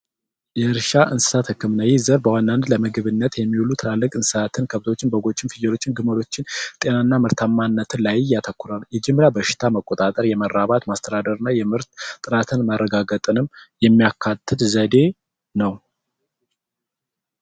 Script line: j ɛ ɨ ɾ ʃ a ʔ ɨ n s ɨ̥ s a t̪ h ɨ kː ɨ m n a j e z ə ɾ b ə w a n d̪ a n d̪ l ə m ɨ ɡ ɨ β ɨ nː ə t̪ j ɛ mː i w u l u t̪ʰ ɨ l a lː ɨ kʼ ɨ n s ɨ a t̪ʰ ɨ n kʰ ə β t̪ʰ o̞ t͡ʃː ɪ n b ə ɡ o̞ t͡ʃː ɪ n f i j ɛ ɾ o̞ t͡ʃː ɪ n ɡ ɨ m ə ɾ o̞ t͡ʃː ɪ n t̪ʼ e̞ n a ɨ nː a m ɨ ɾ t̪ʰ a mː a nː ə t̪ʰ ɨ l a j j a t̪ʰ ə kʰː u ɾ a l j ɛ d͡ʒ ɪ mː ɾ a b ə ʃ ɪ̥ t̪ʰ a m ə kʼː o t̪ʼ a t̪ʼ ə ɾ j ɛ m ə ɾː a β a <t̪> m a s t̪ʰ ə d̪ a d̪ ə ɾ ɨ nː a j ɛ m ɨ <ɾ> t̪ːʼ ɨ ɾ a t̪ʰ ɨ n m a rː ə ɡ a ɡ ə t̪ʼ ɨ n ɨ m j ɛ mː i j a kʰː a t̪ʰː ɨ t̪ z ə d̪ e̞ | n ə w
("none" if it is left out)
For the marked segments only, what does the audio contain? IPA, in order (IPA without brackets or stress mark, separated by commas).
t̪, ɾ